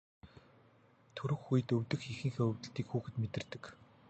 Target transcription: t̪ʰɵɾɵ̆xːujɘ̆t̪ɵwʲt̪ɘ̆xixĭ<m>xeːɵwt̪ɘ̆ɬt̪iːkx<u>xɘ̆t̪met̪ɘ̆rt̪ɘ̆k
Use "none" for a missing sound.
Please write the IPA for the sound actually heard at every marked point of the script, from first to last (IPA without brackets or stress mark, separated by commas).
ŋ, uː